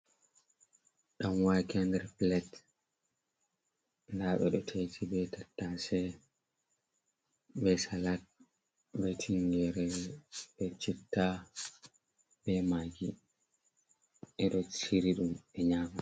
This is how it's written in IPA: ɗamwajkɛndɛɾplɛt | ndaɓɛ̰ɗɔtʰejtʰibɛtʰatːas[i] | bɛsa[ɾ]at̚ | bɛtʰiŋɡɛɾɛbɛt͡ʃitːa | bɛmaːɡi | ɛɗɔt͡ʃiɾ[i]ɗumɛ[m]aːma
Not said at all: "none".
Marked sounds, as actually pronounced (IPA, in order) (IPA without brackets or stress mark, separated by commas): ɛ, l, i, ɲ